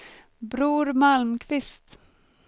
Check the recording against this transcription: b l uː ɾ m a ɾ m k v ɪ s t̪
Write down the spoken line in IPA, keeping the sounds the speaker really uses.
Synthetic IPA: b ɾ uː ɾ m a l m kʰ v ɪ s t̪